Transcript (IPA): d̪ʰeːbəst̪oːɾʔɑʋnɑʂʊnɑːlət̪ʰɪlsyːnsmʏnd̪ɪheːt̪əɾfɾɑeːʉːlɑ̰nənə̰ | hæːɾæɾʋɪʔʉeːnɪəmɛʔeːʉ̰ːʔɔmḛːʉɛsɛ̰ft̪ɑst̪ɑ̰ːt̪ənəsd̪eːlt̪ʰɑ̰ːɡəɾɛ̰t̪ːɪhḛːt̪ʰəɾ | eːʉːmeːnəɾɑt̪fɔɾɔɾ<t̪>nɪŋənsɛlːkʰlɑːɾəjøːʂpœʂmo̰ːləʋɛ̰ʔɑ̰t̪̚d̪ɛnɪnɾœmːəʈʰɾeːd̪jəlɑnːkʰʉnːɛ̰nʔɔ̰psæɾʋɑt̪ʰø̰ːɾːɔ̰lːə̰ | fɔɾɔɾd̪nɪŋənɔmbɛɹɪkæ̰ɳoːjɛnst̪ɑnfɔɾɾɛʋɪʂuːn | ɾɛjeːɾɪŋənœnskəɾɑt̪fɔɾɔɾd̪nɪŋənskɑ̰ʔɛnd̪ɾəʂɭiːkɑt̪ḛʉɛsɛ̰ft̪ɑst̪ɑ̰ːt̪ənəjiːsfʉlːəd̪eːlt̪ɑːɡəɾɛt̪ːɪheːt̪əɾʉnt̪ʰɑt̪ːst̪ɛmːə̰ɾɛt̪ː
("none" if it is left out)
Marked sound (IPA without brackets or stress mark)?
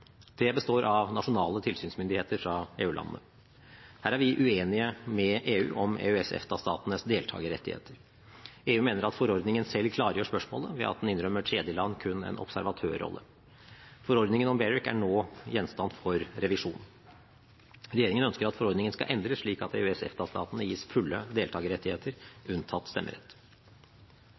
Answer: d̪